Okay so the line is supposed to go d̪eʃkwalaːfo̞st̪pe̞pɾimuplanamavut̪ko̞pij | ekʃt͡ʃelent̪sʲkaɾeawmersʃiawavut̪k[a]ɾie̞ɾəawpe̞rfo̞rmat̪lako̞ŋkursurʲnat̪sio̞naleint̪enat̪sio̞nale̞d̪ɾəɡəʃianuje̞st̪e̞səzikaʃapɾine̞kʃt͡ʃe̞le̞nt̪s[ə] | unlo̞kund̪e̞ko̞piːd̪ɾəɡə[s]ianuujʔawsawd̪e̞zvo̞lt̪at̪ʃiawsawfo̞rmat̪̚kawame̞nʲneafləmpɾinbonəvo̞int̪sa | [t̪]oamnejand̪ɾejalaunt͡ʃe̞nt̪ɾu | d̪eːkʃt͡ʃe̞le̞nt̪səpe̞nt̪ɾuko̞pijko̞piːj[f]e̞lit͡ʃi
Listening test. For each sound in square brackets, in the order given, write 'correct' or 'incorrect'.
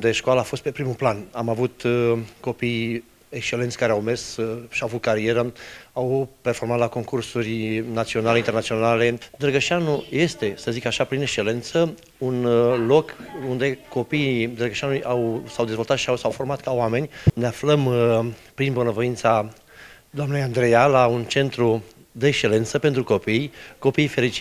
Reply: correct, correct, incorrect, incorrect, correct

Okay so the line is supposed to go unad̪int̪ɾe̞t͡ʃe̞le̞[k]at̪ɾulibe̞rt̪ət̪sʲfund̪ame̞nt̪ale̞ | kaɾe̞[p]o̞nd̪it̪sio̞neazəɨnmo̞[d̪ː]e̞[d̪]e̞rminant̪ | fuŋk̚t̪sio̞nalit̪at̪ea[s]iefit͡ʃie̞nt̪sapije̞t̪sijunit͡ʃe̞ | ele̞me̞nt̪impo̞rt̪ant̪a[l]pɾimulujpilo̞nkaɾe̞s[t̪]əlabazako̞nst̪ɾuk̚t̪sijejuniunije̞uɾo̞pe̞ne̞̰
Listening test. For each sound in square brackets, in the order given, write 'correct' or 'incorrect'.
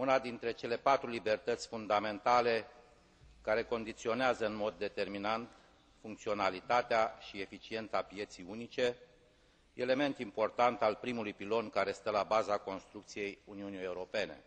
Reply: incorrect, incorrect, correct, incorrect, incorrect, correct, correct

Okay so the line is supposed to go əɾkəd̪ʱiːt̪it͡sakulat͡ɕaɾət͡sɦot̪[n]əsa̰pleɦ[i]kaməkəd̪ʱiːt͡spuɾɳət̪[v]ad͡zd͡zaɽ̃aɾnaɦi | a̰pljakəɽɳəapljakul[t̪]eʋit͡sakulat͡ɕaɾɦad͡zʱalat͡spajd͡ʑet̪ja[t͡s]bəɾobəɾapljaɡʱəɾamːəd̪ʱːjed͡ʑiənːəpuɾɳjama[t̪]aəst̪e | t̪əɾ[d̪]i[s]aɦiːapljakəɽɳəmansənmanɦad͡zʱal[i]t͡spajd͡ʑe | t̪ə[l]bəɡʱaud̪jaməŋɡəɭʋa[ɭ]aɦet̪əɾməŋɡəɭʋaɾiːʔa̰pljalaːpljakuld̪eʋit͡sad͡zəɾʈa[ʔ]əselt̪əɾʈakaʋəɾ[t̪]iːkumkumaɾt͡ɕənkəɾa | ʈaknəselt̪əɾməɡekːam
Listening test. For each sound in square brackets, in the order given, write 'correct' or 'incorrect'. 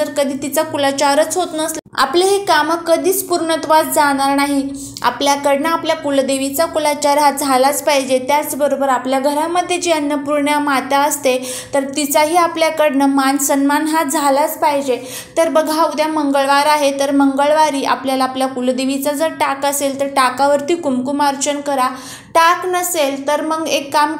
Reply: correct, incorrect, incorrect, incorrect, correct, correct, incorrect, incorrect, incorrect, incorrect, incorrect, incorrect, correct

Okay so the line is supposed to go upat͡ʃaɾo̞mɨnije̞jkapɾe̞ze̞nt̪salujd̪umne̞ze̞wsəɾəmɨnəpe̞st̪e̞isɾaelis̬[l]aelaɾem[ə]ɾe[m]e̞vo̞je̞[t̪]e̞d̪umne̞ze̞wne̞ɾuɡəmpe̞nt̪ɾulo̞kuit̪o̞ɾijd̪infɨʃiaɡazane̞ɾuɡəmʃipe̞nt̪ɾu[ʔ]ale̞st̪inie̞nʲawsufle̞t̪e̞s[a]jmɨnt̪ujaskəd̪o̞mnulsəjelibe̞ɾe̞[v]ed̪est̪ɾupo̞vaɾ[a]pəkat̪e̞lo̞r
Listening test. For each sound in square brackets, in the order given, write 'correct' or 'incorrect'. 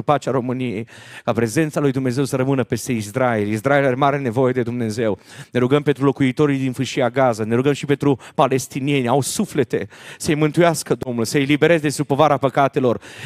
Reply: incorrect, incorrect, incorrect, incorrect, incorrect, incorrect, incorrect, correct

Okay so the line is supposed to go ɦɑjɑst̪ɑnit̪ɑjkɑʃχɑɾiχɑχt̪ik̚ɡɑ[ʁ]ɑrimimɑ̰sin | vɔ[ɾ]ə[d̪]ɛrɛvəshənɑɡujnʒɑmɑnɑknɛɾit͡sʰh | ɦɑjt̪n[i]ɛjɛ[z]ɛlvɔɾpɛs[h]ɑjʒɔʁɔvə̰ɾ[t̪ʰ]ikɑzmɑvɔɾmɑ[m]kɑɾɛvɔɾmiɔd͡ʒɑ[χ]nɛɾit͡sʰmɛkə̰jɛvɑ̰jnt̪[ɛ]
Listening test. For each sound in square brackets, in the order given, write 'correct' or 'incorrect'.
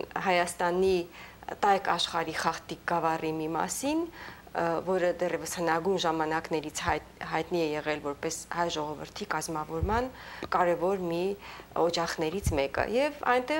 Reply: incorrect, correct, correct, correct, incorrect, correct, correct, incorrect, correct, correct

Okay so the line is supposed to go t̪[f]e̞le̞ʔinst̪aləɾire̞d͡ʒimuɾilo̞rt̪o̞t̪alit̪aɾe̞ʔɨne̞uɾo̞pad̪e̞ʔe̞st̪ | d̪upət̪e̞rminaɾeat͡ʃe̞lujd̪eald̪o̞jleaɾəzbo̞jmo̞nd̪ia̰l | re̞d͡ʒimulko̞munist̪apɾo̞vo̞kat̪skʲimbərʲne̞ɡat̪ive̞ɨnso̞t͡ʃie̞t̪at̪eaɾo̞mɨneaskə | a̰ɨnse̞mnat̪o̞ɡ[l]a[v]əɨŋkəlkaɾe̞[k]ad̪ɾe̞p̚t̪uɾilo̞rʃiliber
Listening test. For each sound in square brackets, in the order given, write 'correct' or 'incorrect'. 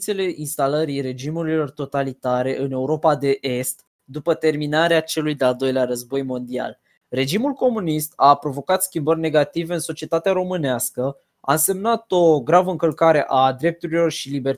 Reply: incorrect, incorrect, correct, incorrect

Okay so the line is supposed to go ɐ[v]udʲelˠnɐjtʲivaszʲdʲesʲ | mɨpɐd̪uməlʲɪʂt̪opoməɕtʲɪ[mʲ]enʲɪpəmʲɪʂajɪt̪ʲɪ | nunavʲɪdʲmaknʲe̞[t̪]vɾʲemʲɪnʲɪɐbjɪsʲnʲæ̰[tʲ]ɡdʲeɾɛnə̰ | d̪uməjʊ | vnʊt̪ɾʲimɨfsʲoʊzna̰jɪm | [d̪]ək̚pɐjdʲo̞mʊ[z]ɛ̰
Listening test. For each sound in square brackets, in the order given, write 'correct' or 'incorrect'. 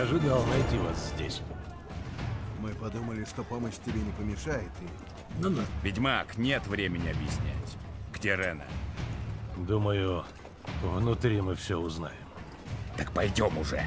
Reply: incorrect, incorrect, correct, correct, incorrect, incorrect

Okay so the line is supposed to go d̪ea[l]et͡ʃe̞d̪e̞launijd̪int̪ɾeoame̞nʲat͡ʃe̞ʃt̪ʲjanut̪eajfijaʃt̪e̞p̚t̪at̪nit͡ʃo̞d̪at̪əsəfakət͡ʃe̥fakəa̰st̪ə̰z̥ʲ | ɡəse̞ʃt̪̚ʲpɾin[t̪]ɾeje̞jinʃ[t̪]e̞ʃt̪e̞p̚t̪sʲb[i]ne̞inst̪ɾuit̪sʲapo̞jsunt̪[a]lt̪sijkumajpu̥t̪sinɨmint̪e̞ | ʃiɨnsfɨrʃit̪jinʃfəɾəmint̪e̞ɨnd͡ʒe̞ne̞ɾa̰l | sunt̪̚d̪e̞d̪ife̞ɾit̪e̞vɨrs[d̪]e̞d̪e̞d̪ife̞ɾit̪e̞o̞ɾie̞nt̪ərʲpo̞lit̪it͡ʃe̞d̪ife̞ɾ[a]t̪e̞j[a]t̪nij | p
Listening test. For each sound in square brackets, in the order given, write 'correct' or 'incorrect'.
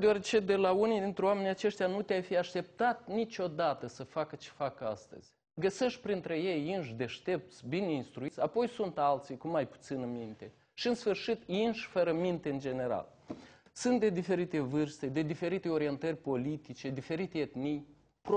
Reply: incorrect, correct, incorrect, correct, correct, incorrect, incorrect, incorrect

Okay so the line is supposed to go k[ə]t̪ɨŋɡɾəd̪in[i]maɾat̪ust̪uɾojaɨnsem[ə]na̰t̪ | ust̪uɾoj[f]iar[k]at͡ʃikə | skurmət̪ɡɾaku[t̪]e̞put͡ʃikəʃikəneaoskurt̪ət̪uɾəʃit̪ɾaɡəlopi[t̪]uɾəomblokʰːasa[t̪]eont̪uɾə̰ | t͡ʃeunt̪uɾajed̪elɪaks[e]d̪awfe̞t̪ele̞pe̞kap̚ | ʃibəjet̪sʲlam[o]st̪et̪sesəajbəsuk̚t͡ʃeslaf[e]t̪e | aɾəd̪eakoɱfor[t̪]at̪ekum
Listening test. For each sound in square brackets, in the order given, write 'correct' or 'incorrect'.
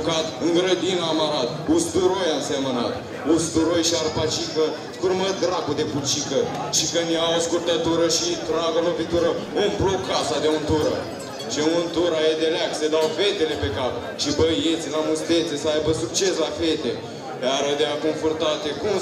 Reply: incorrect, incorrect, correct, incorrect, incorrect, incorrect, correct, incorrect, correct, incorrect, correct, correct

